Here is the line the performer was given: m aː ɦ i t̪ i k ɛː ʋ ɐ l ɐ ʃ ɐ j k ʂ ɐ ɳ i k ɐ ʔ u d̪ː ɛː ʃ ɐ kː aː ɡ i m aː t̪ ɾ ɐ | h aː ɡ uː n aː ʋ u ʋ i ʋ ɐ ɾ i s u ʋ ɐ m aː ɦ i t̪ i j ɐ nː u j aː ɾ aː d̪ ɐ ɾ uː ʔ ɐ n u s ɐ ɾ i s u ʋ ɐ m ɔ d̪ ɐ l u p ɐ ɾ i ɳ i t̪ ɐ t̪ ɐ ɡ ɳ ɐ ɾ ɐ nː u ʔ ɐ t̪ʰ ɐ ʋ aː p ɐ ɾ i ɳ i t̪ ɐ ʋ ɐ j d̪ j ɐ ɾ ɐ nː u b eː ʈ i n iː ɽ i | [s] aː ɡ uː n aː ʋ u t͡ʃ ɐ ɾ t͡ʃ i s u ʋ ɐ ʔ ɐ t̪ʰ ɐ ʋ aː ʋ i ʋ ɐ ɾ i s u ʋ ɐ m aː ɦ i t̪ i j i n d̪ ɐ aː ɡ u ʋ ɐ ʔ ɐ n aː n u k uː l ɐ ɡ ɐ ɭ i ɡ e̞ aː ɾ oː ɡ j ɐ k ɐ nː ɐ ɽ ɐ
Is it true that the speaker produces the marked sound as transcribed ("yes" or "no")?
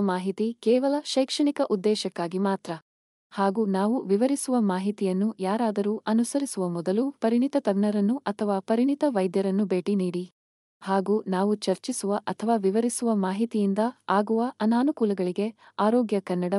no